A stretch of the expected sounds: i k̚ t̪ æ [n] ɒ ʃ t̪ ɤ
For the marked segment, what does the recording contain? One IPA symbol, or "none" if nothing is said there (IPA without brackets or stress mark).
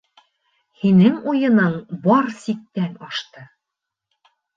n